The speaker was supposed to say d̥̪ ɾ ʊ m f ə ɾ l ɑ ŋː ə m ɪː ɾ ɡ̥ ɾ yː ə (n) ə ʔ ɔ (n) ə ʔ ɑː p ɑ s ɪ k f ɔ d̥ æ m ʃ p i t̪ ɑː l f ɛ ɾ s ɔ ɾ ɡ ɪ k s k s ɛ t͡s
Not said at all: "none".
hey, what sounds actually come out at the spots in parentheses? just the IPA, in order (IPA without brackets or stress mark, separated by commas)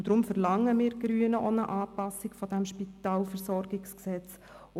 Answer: n, n